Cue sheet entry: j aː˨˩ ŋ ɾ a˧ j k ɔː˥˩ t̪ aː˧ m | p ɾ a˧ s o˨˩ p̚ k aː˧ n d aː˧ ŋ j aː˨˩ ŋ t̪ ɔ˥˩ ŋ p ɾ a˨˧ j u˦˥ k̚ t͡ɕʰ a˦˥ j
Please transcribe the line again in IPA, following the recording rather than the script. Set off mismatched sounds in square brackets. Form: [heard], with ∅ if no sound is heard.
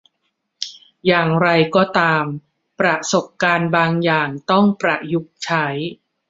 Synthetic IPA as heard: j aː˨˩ ŋ ɾ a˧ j k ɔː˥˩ t̪ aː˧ m | p ɾ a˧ s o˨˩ p̚ k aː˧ n [b] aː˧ ŋ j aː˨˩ ŋ t̪ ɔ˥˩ ŋ p ɾ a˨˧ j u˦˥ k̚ t͡ɕʰ a˦˥ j